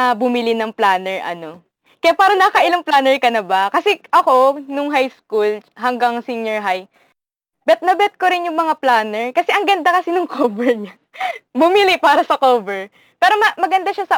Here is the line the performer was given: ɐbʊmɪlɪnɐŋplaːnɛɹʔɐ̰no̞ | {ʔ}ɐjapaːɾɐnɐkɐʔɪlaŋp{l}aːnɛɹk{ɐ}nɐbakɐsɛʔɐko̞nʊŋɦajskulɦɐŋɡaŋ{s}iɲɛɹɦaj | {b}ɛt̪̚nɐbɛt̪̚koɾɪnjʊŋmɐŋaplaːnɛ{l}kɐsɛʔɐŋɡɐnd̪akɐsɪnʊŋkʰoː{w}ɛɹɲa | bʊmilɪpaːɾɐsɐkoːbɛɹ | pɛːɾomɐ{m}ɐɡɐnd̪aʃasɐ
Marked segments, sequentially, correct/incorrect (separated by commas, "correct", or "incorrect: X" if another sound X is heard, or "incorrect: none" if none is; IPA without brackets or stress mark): incorrect: k, correct, correct, correct, correct, incorrect: ɹ, incorrect: b, correct